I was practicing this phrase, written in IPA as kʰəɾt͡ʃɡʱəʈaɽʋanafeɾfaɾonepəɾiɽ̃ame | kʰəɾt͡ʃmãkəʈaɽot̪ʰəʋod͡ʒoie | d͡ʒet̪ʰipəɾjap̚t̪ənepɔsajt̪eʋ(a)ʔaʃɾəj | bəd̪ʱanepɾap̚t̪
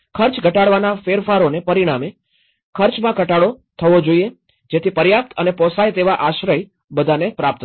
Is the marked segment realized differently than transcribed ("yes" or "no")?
no